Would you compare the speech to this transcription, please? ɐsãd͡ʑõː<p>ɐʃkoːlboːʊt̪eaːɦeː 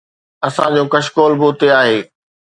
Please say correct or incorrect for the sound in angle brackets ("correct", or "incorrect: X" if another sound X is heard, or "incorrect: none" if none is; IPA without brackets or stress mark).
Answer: incorrect: k